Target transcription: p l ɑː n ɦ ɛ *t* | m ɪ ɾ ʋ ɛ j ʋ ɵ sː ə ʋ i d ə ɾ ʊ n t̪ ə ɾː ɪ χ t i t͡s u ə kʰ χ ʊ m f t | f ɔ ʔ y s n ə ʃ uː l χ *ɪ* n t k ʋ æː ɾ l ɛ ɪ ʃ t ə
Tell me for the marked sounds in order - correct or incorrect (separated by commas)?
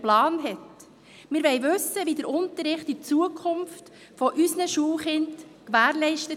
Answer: correct, correct